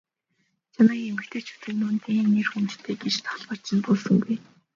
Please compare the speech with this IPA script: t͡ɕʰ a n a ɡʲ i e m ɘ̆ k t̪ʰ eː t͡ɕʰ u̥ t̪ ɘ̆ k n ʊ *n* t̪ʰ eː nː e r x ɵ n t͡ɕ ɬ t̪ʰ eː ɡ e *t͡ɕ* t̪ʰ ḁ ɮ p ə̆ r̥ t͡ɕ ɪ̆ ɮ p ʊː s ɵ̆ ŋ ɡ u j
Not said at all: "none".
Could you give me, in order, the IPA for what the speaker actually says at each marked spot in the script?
n, t͡ɕ

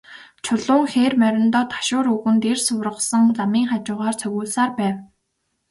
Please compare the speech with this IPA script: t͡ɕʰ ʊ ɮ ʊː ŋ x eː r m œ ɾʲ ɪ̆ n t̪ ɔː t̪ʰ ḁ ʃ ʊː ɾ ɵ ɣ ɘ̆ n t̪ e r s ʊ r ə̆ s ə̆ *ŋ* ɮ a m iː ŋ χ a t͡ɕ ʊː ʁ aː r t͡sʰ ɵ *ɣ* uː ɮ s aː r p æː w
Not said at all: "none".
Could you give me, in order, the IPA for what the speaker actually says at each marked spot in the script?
ŋ, ɣ

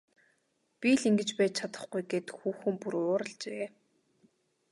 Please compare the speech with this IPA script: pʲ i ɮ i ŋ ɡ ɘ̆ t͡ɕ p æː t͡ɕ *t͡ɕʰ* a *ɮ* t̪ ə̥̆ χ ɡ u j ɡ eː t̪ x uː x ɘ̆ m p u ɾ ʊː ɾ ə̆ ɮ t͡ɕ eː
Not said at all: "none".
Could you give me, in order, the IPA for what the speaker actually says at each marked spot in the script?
t͡ɕʰ, none

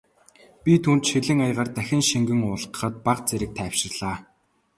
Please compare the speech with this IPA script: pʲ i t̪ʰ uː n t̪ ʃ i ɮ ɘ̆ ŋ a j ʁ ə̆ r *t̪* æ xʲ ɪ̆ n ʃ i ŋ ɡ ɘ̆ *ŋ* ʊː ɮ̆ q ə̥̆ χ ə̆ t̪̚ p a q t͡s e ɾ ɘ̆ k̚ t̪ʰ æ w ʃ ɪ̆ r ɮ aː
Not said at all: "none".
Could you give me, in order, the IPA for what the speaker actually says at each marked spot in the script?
t̪, ŋ

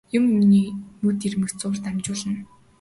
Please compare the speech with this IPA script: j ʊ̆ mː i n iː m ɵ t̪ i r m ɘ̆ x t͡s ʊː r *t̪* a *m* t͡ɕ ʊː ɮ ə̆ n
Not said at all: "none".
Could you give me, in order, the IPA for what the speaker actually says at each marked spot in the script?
t̪, m

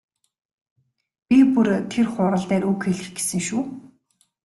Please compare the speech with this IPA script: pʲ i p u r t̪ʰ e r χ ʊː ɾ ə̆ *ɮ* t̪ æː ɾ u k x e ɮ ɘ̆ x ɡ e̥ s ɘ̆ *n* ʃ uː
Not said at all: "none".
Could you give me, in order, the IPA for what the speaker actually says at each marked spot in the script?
ɮ, ŋ

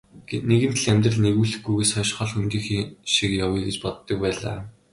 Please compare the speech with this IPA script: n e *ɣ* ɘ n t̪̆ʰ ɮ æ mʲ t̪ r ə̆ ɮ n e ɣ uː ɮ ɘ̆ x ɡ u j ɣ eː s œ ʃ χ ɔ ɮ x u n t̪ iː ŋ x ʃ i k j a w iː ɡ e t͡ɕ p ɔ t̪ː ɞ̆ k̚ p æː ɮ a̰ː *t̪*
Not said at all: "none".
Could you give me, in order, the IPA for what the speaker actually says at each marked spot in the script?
ɣ, none

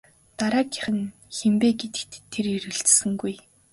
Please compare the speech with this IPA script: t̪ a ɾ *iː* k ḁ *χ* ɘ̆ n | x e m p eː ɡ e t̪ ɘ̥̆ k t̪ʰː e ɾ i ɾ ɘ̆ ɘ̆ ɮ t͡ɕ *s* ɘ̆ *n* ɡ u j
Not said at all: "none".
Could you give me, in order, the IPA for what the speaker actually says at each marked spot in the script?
aː, χ, s, ŋ

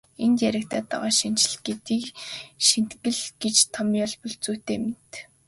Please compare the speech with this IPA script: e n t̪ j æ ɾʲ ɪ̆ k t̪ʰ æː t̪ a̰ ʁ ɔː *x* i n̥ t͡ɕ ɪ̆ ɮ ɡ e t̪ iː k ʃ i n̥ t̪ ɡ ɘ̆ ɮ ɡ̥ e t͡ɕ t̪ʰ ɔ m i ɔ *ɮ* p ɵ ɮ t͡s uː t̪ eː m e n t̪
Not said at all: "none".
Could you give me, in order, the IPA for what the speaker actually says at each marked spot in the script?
ʃ, ɮ

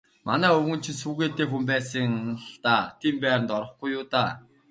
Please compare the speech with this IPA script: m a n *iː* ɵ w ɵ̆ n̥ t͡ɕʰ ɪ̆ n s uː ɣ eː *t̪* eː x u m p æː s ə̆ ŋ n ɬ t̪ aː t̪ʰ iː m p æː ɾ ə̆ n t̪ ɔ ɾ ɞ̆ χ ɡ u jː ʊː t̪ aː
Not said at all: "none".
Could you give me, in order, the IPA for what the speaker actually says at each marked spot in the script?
æː, t̪

